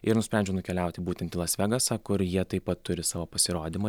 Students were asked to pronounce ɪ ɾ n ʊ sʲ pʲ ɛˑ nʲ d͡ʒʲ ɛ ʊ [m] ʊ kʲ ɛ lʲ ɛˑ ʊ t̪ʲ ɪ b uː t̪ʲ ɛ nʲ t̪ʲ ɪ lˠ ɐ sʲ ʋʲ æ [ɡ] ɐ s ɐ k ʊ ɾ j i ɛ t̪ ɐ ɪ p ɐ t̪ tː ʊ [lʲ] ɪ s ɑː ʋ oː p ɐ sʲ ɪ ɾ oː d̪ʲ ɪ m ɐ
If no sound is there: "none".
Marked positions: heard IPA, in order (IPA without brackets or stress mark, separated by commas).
n, ɡ, ɾʲ